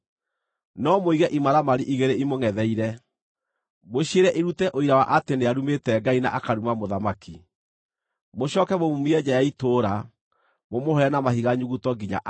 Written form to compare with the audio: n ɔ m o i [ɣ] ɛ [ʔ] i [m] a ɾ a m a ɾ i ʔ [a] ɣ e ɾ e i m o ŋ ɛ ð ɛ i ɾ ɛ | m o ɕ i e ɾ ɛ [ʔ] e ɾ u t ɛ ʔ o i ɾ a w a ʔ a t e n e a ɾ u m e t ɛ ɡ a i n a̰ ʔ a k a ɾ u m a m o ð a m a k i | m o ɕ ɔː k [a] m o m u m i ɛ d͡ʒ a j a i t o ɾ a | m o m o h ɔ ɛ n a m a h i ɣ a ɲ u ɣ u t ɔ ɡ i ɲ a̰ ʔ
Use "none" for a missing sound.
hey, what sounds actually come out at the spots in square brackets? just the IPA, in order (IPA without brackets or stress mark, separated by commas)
ɣ, ʔ, m, i, ʔ, ɛ